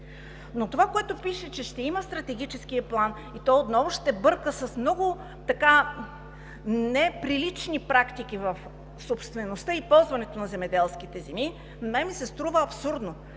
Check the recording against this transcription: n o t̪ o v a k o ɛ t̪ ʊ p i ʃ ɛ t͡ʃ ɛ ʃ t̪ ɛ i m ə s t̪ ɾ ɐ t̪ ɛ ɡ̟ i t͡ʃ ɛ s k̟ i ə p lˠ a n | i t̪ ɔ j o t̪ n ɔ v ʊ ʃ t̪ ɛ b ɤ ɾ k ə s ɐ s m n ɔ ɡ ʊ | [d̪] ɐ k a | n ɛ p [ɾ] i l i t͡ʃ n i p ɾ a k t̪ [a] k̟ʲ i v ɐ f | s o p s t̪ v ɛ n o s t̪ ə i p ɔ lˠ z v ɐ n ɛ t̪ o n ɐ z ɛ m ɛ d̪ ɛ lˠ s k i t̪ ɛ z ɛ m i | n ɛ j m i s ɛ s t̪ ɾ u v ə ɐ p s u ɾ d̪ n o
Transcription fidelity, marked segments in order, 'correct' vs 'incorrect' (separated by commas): incorrect, correct, incorrect